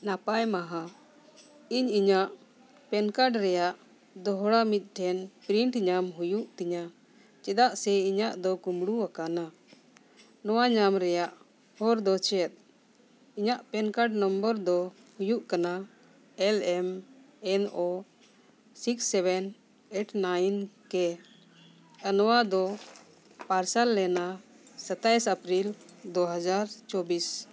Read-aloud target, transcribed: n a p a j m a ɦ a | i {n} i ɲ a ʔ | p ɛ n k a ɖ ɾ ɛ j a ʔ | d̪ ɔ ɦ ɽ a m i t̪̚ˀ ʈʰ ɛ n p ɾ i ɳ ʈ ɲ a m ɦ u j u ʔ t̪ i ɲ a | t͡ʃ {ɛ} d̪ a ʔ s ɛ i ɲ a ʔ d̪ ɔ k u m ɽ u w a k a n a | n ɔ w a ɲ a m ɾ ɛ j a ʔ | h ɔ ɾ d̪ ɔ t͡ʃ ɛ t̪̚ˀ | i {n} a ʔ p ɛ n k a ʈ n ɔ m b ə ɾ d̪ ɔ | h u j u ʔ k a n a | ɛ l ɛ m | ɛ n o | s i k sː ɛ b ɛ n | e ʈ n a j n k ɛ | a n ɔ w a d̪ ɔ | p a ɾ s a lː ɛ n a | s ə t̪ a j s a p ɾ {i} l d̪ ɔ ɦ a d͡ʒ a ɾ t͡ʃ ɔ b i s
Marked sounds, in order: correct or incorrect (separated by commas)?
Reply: incorrect, correct, incorrect, correct